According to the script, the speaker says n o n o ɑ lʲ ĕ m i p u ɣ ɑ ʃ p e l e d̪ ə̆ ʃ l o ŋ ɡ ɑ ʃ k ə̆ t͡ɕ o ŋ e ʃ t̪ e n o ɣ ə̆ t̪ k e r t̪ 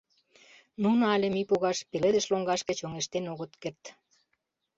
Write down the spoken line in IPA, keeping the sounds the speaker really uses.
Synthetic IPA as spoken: n u n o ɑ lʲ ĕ m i p u ɣ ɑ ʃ p e l e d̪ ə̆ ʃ l o ŋ ɡ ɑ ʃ k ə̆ t͡ɕ o ŋ e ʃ t̪ e n o ɣ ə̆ t̪ k e r t̪